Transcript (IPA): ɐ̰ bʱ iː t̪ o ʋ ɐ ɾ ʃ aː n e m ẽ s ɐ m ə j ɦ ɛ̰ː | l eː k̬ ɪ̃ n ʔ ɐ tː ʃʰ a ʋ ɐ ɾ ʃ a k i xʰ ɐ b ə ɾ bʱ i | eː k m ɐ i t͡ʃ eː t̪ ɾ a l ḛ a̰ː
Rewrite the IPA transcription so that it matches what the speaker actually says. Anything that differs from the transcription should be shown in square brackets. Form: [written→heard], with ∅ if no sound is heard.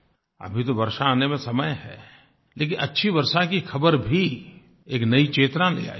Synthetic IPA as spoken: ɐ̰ bʱ [iː→i] t̪ o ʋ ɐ ɾ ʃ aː n e m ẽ s ɐ m ə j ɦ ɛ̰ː | l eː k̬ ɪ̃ n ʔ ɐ tː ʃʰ [a→i] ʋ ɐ ɾ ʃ a k i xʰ ɐ b ə ɾ bʱ i | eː k [m→n] ɐ i t͡ʃ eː t̪ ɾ a l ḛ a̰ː